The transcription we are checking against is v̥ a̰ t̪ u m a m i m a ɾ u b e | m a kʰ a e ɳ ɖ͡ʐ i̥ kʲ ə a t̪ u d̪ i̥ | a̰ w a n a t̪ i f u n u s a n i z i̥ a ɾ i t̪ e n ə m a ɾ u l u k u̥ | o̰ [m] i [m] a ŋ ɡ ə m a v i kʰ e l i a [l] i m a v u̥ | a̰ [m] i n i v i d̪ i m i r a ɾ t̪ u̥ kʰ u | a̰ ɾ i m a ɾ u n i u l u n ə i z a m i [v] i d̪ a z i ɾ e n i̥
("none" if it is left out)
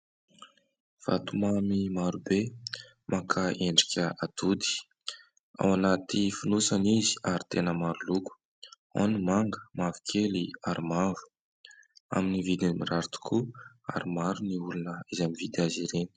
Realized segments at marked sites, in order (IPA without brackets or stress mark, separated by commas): n, m, ɾ, m, v